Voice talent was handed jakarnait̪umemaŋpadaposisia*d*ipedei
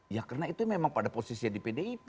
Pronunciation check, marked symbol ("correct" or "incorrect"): correct